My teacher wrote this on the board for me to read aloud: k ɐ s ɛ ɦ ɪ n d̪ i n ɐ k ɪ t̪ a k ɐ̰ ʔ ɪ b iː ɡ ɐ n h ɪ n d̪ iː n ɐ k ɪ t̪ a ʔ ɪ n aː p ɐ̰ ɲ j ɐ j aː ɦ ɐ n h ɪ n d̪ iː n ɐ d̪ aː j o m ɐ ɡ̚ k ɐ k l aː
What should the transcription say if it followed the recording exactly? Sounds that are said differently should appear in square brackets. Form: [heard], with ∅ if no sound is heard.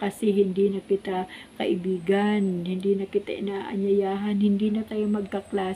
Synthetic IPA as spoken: k ɐ s ɛ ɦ ɪ n d̪ i n ɐ k ɪ t̪ a k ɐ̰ ʔ ɪ b iː ɡ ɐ n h ɪ n d̪ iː n ɐ k ɪ t̪ a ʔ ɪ n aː [ʔ] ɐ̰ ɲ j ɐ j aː ɦ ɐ n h ɪ n d̪ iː n ɐ [t̪] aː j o m ɐ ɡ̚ k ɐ k l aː